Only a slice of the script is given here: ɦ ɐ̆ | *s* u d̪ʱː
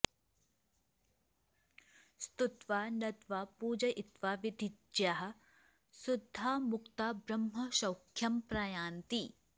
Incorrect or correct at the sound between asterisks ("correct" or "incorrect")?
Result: correct